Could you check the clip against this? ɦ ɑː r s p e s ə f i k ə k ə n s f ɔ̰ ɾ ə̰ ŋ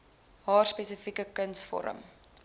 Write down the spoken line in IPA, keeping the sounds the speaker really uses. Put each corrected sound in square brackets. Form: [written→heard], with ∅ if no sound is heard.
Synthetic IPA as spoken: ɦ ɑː r s p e s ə f i k ə k ə n s f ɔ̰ ɾ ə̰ [ŋ→m]